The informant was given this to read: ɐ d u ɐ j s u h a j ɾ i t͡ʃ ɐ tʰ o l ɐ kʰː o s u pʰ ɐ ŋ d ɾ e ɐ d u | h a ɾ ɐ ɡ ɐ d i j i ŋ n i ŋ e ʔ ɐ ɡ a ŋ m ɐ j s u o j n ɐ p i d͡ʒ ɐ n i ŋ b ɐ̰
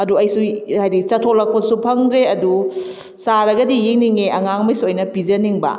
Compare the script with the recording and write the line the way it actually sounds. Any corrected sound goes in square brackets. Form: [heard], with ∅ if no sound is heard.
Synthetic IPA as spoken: ɐ d u ɐ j s u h a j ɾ i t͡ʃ ɐ tʰ o l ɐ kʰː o s u pʰ ɐ ŋ d ɾ e ɐ d u | [s] a ɾ ɐ ɡ ɐ d i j i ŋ n i ŋ e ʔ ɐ [ŋ] a ŋ m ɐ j s u o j n ɐ p i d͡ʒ ɐ n i ŋ b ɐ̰